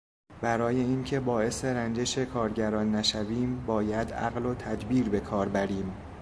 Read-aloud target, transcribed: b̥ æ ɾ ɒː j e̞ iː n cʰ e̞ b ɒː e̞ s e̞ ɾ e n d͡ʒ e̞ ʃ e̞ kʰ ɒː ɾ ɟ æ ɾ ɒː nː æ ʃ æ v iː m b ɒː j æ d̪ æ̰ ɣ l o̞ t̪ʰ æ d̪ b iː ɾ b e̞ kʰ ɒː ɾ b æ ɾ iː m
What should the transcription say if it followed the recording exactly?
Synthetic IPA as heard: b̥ æ ɾ ɒː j e̞ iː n cʰ e̞ b ɒː e̞ s e̞ ɾ æ n d͡ʒ e̞ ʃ e̞ kʰ ɒː ɾ ɟ æ ɾ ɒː nː æ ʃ æ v iː m b ɒː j æ d̪ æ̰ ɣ l o̞ t̪ʰ æ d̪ b iː ɾ b e̞ kʰ ɒː ɾ b æ ɾ iː m